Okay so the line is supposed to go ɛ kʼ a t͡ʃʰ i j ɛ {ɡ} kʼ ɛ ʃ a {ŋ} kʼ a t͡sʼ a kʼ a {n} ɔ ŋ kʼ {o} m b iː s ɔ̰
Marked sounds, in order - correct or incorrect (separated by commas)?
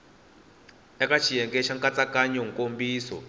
incorrect, correct, incorrect, correct